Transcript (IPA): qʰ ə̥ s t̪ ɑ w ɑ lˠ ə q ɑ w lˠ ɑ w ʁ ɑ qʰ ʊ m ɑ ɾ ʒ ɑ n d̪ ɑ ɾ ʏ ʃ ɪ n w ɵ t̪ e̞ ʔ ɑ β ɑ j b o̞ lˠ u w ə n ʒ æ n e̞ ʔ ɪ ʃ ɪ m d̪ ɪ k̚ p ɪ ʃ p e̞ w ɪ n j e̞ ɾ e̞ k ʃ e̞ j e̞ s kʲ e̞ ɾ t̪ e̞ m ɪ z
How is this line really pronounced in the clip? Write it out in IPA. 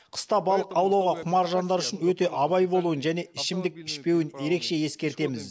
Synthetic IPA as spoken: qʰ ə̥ s t̪ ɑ b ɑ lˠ ə q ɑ w lˠ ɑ w ʁ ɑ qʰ ʊ m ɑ ɾ ʒ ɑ n d̪ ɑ ɾ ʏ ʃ ɪ n w ɵ t̪ e̞ ʔ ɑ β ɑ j b o̞ lˠ u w ə n ʒ æ n e̞ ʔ ɪ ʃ ɪ m d̪ ɪ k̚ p ɪ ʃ p e̞ w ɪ n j e̞ ɾ e̞ k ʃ e̞ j e̞ s kʲ e̞ ɾ t̪ e̞ m ɪ z